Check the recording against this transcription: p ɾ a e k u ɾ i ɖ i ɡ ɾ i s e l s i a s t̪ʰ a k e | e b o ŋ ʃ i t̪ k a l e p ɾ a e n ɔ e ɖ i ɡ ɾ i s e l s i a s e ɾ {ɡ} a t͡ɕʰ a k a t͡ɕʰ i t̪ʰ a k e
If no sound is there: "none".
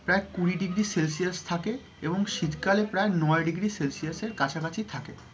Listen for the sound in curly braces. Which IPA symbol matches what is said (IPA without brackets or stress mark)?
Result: k